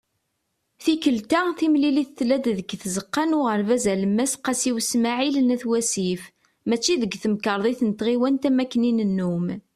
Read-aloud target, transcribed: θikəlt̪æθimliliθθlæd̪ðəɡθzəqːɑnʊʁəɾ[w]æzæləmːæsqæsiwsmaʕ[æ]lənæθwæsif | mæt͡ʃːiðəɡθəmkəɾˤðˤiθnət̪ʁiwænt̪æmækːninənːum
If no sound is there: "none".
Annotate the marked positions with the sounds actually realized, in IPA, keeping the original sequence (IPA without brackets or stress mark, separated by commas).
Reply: v, i